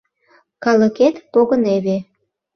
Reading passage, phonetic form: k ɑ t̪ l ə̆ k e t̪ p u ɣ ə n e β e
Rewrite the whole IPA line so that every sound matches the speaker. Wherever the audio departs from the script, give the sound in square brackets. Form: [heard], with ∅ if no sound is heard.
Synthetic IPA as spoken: k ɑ [∅] l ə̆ k e t̪ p [o] ɣ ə n e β e